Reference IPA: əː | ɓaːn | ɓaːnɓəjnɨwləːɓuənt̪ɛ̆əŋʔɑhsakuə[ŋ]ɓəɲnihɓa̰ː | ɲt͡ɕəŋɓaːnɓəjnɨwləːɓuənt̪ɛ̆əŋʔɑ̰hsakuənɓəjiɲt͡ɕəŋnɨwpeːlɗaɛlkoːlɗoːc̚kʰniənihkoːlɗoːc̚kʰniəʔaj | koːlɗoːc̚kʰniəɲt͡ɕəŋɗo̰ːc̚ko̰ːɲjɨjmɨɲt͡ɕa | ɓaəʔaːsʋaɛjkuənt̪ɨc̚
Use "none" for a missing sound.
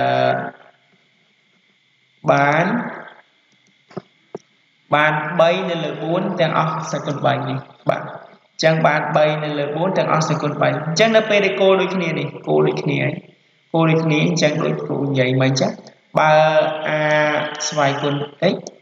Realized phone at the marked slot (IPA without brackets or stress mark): n